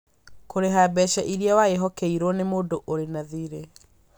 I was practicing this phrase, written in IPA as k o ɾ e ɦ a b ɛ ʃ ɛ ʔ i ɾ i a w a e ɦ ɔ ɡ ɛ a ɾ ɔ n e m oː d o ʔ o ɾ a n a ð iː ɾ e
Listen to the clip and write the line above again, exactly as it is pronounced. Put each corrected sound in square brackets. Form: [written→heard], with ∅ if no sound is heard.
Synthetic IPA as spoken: k o ɾ e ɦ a b ɛ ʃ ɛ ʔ i ɾ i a w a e ɦ ɔ [ɡ→k] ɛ [a→i] ɾ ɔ n e m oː d o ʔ o ɾ [a→e] n a ð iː ɾ e